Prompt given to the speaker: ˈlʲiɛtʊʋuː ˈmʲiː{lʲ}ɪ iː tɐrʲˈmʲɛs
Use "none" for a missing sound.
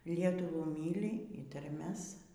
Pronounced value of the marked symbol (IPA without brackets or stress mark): lʲ